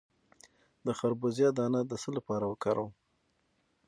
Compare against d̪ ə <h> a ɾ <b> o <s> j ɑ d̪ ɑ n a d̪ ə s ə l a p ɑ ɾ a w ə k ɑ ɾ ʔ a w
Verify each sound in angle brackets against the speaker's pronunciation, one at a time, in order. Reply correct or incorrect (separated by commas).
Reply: incorrect, correct, incorrect